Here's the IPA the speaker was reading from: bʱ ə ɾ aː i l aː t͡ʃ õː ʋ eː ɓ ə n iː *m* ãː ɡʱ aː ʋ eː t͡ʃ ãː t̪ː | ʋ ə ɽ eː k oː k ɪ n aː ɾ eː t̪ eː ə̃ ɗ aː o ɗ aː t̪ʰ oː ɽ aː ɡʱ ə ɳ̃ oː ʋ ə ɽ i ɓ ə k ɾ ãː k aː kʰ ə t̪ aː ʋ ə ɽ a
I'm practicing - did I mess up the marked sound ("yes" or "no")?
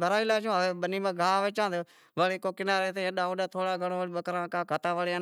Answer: no